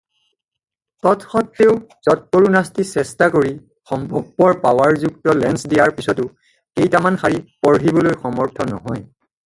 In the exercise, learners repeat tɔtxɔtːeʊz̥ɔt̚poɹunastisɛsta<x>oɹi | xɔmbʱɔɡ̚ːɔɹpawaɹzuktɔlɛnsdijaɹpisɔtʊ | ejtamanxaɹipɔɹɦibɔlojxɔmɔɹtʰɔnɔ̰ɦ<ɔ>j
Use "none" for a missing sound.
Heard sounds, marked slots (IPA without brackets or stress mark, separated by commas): k, ɔ